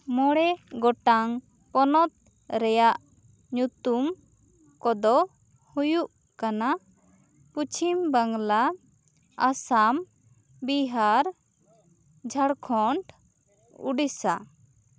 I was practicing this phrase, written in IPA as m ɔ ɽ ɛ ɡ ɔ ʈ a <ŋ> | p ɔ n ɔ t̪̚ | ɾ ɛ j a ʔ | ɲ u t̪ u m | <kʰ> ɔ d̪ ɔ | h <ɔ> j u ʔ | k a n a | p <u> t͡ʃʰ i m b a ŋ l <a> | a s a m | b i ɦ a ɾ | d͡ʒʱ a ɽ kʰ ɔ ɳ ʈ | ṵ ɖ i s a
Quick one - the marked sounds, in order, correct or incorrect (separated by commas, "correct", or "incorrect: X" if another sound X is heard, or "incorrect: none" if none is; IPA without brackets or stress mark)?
correct, incorrect: k, incorrect: u, correct, correct